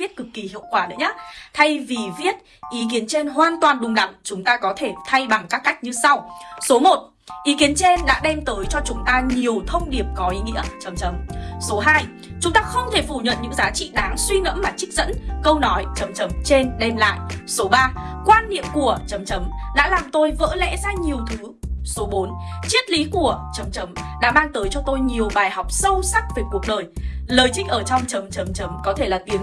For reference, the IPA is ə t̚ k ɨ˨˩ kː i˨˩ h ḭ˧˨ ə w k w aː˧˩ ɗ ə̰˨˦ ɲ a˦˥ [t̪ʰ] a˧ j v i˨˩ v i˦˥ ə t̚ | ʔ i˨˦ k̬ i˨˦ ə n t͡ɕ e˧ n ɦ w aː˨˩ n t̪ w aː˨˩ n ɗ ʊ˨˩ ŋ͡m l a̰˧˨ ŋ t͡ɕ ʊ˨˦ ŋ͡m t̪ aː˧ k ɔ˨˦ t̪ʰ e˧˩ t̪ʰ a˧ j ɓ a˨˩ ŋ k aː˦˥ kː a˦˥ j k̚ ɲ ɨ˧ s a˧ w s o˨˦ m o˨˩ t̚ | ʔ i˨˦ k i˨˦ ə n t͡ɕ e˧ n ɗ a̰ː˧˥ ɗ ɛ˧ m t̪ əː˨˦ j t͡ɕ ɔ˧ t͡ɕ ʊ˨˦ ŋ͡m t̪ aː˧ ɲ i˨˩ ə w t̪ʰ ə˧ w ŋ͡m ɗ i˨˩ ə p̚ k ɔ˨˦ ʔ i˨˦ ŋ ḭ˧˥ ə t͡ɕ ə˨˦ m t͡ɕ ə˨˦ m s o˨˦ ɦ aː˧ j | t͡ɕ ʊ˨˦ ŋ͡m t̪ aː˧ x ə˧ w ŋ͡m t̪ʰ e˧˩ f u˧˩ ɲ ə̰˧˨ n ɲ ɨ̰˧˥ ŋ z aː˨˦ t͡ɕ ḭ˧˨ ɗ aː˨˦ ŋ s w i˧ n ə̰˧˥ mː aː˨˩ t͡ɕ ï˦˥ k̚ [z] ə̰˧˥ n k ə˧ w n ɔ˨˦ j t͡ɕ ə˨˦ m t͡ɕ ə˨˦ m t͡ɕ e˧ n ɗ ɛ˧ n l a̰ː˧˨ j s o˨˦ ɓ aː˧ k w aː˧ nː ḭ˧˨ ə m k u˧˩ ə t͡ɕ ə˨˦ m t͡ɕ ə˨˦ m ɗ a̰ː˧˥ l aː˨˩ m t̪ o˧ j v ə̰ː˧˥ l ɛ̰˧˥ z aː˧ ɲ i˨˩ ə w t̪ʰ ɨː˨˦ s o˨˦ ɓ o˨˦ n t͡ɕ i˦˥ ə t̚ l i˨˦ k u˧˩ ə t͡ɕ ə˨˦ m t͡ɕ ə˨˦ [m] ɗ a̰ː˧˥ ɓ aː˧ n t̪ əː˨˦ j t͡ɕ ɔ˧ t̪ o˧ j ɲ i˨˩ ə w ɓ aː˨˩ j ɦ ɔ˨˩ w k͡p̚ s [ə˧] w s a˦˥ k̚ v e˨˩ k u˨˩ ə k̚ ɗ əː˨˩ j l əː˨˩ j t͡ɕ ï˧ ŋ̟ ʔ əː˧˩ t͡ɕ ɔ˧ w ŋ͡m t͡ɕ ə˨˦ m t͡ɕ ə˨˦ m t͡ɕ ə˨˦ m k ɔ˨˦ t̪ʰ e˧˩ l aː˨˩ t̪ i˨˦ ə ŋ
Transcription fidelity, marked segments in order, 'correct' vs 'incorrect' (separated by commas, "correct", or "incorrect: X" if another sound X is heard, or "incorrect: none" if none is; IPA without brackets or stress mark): correct, correct, correct, correct